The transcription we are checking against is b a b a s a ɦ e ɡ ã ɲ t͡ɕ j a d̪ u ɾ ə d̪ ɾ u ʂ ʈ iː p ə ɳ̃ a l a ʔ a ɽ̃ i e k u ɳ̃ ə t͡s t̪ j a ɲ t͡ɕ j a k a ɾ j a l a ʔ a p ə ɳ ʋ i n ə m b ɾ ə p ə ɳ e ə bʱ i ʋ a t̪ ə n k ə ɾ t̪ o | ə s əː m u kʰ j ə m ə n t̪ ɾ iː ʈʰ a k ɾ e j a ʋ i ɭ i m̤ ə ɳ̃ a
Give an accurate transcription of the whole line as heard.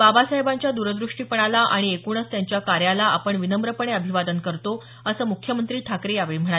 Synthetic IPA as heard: b a b a s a ɦ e b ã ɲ t͡ɕ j a d̪ u ɾ ə d̪ ɾ u ʂ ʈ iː p ə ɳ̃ a l a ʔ a ɽ̃ i e k u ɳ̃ ə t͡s t̪ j a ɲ t͡ɕ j a k a ɾ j a l a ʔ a p ə ɳ ʋ i n ə m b ɾ ə p ə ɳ e ə bʱ i ʋ a d̪ ə n k ə ɾ t̪ o | ə s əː m u kʰ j ə m ə n t̪ ɾ iː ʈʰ a k ɾ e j a ʋ e ɭ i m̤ ə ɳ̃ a